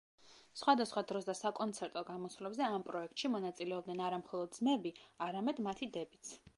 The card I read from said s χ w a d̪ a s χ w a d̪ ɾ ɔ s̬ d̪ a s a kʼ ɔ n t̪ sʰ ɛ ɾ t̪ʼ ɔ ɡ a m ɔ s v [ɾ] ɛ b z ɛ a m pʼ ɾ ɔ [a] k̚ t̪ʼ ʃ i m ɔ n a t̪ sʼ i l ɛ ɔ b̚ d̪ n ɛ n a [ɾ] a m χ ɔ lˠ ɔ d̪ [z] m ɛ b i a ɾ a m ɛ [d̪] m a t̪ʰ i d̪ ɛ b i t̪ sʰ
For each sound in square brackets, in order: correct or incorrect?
incorrect: l, incorrect: ɛ, correct, correct, correct

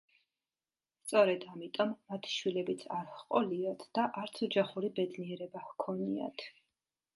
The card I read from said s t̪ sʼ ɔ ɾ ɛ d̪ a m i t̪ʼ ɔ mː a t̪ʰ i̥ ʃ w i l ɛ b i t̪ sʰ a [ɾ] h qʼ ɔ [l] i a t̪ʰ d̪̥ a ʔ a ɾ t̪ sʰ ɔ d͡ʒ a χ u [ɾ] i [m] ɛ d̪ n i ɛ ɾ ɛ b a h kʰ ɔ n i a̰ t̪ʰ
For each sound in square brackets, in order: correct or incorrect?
correct, correct, correct, incorrect: b

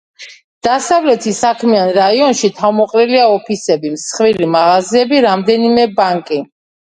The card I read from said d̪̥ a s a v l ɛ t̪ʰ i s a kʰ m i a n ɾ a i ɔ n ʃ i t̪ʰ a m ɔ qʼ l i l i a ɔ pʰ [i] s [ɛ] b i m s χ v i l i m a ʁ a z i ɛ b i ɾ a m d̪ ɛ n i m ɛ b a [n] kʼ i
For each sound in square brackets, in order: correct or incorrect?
correct, correct, incorrect: ŋ

